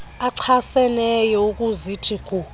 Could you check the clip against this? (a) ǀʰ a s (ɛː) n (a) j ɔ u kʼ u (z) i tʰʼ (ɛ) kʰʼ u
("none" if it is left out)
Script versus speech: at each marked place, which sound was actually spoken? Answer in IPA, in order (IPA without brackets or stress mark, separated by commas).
a, ɛ, ɛ, z, i